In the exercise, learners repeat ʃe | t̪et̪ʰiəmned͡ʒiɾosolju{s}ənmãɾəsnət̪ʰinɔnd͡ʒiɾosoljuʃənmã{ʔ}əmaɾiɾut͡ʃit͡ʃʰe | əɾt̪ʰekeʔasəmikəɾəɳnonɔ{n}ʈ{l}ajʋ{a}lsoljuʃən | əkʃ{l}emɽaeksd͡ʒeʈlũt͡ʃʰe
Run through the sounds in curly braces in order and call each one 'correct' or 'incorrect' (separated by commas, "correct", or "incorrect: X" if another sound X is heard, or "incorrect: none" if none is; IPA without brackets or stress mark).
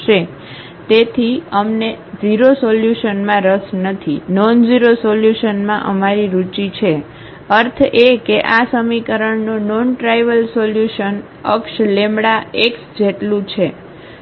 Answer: incorrect: ʃ, correct, correct, incorrect: ɾ, incorrect: ə, correct